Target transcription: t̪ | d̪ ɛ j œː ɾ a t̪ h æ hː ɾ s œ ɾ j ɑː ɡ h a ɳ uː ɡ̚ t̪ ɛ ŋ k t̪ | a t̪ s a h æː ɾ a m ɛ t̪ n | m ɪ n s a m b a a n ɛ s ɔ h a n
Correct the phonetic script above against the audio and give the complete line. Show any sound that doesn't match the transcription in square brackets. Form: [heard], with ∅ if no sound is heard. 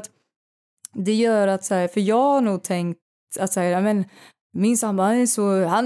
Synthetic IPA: t̪ | d̪ ɛ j œː ɾ a t̪ [s] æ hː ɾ [f] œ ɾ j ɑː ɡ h a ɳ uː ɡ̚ [t̪ʰ] ɛ ŋ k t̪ | a t̪ s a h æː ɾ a m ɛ [∅] n | m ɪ n s a m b a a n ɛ s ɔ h a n